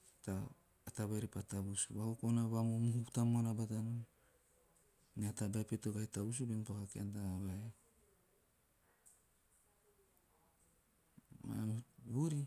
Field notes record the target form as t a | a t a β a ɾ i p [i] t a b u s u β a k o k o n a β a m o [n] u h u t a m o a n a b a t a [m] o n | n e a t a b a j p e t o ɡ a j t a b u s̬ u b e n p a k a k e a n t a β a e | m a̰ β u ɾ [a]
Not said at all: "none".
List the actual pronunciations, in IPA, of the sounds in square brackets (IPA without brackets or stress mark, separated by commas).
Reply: a, m, n, i